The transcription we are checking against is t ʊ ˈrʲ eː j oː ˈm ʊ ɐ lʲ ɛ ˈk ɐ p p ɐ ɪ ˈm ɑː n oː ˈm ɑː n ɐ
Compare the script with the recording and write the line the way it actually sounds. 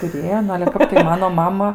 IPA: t ʊ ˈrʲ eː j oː ˈn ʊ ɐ lʲ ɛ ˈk ɐ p t ɐ ɪ ˈm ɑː n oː ˈm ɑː m ɐ